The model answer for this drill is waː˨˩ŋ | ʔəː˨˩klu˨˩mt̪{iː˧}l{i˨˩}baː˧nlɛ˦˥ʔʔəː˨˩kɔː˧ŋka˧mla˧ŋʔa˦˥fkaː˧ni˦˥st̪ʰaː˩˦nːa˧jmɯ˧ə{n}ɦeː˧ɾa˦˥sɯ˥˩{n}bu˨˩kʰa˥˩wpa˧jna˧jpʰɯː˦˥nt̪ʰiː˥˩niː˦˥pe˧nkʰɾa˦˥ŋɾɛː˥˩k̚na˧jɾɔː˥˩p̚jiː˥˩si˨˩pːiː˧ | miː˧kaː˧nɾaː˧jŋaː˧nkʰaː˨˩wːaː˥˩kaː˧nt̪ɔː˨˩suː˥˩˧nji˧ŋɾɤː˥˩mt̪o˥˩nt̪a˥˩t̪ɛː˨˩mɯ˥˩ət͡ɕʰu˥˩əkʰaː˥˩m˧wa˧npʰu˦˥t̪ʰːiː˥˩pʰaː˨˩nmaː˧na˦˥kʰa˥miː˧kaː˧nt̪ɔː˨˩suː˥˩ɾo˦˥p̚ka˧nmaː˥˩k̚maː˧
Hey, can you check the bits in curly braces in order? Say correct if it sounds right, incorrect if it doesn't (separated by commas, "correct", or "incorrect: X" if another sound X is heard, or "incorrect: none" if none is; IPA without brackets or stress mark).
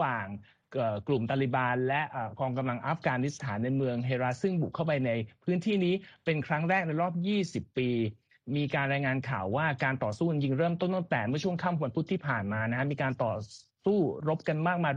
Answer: incorrect: aː˧, correct, incorrect: ŋ, incorrect: ŋ